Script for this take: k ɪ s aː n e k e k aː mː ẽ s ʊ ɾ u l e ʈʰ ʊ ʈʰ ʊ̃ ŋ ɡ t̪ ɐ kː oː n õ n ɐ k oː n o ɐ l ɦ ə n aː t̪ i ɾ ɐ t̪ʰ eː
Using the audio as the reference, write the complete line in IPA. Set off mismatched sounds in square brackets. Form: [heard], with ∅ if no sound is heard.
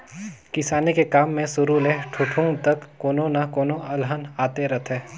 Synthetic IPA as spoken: k ɪ s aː n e k e k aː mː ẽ s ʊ ɾ u l e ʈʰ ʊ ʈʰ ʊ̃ ŋ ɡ t̪ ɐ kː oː n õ n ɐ k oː n o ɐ l ɦ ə n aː t̪ [e] ɾ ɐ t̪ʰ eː